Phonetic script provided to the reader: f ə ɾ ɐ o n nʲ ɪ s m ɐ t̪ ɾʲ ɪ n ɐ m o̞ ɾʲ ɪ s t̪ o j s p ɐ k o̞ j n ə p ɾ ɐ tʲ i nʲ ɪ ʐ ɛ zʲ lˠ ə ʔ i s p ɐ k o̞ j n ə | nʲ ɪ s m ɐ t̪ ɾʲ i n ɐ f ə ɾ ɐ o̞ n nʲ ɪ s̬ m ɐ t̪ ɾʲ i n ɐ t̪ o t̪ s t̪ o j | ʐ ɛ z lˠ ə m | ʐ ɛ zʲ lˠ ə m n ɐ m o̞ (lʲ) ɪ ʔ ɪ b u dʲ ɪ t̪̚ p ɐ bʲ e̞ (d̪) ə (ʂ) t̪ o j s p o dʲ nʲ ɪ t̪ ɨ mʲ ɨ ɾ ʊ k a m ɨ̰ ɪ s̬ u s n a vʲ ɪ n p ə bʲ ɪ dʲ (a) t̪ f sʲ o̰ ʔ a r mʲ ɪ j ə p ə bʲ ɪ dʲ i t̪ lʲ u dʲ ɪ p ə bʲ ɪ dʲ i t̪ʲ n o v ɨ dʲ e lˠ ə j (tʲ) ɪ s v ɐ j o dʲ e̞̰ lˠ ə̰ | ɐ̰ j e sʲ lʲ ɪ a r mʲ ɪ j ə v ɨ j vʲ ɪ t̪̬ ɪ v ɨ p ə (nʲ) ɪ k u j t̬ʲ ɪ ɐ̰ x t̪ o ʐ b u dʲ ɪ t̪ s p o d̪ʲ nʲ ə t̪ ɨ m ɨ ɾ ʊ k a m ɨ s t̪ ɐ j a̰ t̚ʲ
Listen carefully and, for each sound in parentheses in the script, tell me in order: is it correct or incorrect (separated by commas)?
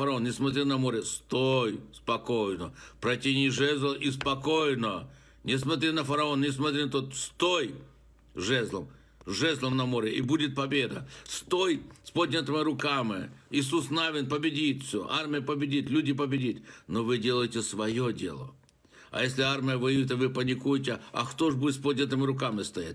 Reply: incorrect, correct, incorrect, incorrect, correct, correct